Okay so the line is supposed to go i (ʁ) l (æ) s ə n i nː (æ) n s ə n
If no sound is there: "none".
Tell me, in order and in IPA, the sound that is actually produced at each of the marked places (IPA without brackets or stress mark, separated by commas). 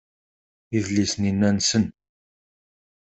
ð, i, æ